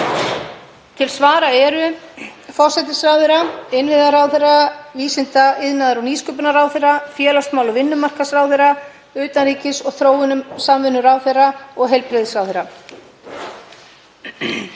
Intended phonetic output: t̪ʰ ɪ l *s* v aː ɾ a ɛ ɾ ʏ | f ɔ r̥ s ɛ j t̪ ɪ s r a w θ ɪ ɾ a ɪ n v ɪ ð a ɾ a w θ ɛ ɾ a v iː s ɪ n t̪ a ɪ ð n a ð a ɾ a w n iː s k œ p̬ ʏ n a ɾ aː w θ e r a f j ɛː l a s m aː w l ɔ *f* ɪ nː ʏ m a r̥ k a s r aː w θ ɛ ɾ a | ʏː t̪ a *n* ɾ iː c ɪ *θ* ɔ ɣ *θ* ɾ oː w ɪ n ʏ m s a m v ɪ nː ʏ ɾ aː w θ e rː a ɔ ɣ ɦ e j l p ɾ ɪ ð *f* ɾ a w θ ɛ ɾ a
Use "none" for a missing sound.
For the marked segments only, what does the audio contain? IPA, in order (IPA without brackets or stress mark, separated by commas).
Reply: s, v, n, s, θ, s